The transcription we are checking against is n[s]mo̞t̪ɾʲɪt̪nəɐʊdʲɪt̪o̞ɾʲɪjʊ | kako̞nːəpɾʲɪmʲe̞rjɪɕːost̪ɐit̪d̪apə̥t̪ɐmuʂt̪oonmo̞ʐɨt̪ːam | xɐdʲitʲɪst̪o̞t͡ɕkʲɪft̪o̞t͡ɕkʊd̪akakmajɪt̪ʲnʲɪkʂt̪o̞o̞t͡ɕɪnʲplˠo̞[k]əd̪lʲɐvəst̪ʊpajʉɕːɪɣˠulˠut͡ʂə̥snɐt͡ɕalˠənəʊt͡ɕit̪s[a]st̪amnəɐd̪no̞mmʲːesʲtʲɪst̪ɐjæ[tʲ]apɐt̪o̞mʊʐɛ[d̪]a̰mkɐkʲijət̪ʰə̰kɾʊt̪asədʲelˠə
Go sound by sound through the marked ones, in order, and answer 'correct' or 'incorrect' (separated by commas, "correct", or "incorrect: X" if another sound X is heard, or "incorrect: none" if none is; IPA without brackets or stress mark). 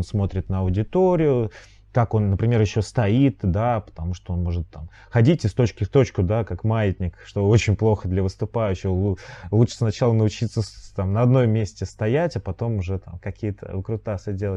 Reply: correct, incorrect: x, incorrect: ə, correct, incorrect: t̪